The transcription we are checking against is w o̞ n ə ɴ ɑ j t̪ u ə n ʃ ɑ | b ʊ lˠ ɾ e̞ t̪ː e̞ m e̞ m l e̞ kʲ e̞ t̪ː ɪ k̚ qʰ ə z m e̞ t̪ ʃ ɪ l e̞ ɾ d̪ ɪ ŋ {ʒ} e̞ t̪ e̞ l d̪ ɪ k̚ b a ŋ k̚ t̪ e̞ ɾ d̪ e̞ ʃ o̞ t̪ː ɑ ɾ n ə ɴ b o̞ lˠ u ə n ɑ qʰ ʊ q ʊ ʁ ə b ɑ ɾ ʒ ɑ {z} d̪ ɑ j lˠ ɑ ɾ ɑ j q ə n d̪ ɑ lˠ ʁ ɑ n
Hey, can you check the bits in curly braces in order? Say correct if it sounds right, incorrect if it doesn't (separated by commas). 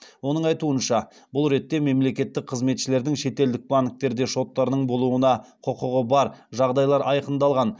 incorrect, incorrect